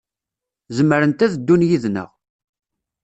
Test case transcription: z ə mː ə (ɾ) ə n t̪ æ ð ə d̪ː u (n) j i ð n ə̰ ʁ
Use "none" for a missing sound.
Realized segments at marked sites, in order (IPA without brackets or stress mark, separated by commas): ɾ, n